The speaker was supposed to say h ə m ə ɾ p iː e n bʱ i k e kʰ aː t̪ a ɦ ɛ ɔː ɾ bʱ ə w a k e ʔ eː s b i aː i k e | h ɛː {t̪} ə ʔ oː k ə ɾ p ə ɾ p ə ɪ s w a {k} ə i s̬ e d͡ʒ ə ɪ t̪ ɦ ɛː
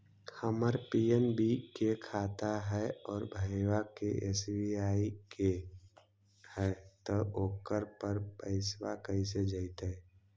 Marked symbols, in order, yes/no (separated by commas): yes, yes